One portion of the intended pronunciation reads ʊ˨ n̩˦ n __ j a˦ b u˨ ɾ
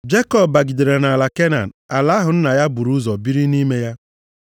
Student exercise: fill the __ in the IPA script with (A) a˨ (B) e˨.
A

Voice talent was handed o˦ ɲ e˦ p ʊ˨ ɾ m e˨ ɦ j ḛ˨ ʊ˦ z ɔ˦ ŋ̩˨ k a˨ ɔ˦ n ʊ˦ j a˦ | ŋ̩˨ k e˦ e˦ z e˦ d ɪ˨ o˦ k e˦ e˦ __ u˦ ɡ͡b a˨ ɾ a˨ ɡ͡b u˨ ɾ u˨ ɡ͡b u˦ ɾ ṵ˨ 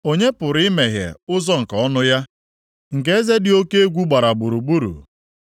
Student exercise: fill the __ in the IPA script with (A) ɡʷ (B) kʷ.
A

